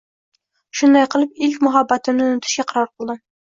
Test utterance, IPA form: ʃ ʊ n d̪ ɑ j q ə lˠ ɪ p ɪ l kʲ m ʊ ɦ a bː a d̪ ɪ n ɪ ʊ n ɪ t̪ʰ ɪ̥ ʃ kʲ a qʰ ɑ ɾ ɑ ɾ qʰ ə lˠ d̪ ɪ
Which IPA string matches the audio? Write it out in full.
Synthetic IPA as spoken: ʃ ʊ n d̪ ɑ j q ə lˠ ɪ p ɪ l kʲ m ʊ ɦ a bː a t̪ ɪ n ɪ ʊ n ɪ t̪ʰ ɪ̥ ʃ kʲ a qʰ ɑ ɾ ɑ ɾ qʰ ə lˠ d̪ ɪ